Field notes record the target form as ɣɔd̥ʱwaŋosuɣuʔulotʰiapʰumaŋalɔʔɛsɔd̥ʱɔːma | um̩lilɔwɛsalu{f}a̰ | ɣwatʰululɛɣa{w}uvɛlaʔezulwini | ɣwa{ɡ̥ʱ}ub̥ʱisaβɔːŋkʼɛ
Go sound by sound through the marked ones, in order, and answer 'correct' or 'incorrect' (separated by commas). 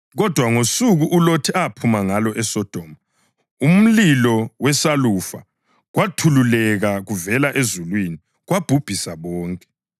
correct, incorrect, incorrect